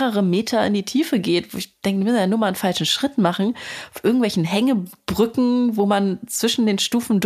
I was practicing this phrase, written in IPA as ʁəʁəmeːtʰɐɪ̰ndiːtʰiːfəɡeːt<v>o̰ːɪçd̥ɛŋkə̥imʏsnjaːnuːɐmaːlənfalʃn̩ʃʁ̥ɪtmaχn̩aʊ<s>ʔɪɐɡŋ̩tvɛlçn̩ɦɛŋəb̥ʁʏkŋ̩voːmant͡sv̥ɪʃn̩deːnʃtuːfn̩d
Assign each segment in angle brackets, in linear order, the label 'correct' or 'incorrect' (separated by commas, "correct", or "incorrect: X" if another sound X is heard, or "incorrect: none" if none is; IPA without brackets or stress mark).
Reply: correct, incorrect: f